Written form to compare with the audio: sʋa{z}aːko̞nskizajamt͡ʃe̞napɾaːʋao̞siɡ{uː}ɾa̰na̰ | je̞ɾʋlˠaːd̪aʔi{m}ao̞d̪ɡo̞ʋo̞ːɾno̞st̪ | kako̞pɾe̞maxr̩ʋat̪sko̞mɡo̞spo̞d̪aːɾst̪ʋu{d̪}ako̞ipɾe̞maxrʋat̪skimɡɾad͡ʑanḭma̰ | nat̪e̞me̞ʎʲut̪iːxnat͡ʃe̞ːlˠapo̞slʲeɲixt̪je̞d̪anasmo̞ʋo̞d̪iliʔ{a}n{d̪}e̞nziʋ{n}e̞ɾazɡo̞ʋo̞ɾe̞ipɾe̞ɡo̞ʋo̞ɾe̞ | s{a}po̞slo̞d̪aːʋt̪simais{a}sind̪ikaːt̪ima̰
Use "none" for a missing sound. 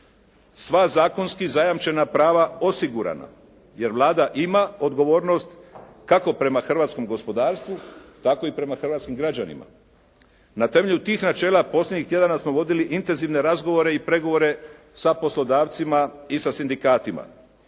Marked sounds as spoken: z, u, m, t̪, i, t̪, n, a, a

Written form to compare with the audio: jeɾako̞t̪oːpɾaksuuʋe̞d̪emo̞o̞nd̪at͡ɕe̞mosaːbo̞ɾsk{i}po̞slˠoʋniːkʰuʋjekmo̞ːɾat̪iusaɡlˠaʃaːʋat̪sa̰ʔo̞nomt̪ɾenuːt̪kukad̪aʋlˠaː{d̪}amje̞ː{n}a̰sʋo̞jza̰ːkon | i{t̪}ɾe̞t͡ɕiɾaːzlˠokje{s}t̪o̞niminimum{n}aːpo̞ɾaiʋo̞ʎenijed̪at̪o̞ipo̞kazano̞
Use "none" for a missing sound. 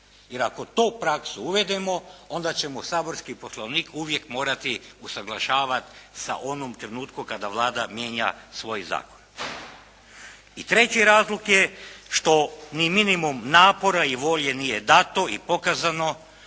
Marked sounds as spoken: i, d̪, ɲ, t̪, ʃ, n

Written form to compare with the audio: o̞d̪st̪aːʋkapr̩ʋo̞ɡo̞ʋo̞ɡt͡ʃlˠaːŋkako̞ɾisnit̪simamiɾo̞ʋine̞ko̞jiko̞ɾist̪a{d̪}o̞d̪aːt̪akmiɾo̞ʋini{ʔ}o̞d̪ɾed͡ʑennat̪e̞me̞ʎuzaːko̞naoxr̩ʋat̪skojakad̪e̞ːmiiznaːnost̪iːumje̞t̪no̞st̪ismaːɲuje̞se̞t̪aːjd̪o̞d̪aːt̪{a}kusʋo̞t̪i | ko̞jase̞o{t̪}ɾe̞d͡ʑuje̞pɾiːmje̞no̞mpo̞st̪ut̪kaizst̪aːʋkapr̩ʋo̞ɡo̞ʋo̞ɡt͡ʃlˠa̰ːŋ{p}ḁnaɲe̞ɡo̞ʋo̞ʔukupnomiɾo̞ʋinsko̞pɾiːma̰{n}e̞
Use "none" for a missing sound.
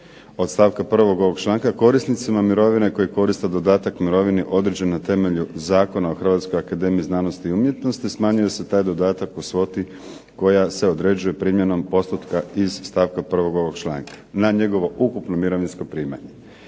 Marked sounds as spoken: d̪, ʔ, a, d̪, k, ɲ

